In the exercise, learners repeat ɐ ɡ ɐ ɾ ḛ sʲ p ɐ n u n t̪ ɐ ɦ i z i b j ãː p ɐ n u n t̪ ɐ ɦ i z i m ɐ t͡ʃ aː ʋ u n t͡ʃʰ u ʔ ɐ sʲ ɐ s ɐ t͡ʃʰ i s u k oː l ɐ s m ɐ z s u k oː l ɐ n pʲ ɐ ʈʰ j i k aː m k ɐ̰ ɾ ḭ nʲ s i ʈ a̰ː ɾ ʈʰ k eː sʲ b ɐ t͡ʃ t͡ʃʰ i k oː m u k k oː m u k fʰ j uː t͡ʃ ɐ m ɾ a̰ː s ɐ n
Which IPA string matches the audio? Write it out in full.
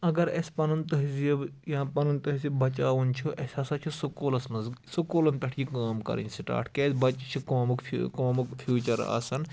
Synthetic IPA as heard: ɐ ɡ ɐ ɾ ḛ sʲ p ɐ n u n t̪ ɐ ɦ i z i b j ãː p ɐ n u n t̪ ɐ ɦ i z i b ɐ t͡ʃ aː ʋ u n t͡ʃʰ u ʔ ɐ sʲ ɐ s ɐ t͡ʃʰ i s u k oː l ɐ s m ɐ z s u k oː l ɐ n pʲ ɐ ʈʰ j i k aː m k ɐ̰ ɾ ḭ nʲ s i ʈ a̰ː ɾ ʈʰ k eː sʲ b ɐ t͡ʃ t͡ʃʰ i k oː m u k k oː m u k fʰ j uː t͡ʃ ɐ ɾ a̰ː s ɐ n